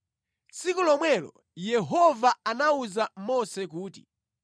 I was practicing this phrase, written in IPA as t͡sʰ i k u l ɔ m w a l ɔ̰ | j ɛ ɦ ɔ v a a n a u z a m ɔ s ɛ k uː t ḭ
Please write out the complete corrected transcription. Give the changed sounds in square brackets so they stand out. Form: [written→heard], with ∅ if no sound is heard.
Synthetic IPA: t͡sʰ i k u l ɔ m w [a→ɛ] l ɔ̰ | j ɛ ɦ ɔ v a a n a u z a m ɔ s ɛ k uː t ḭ